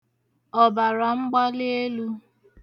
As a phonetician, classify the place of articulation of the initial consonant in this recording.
labial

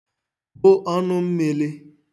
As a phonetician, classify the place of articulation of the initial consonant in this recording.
labial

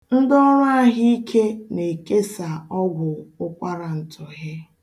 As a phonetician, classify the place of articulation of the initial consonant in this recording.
alveolar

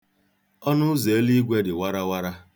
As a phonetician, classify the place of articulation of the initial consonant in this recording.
alveolar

